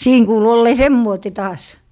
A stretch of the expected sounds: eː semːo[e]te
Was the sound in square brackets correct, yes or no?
no